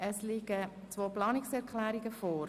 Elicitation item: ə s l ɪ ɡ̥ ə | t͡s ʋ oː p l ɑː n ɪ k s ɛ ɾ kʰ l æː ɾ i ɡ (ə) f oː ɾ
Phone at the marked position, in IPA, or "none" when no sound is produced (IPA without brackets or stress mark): ə